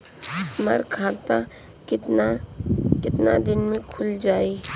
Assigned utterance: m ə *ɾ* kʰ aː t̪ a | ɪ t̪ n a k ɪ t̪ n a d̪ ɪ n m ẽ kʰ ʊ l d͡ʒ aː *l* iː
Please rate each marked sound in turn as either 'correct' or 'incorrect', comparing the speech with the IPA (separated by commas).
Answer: correct, incorrect